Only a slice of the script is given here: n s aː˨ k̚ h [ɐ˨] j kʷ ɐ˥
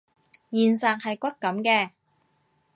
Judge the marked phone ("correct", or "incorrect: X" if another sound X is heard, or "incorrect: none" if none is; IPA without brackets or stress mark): correct